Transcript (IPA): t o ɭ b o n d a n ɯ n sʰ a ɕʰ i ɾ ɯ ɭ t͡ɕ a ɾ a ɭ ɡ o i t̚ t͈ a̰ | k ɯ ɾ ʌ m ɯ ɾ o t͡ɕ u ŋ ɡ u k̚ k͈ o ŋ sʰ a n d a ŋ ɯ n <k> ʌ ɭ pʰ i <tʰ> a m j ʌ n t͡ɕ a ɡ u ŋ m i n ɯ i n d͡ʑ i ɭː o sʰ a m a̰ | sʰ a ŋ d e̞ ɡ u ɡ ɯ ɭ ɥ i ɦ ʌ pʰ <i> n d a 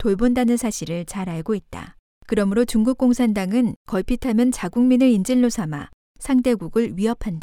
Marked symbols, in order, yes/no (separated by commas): yes, yes, no